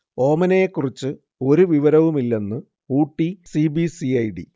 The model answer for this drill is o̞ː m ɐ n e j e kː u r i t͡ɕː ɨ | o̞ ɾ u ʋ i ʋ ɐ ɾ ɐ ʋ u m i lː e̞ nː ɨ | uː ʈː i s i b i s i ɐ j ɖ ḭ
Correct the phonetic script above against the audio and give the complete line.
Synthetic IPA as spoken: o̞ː m ɐ n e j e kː u r i t͡ɕː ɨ | o̞ ɾ u ʋ i ʋ ɐ ɾ ɐ ʋ u m i lː e̞ nː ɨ | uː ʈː i s i b i s i ɐ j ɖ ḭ